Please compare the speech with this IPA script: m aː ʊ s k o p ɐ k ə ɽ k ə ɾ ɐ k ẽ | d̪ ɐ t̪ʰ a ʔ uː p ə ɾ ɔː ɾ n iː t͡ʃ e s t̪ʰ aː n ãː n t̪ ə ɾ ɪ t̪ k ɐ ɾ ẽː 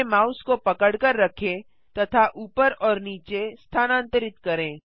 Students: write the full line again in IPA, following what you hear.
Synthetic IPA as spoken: m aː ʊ s k o p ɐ k ə ɽ k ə ɾː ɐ kʰ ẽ | t̪ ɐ t̪ʰ a ʔ uː p ə ɾ ɔː ɾ n iː t͡ʃ e s t̪ʰ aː n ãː n t̪ ə ɾ ɪ t̪ k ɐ ɾ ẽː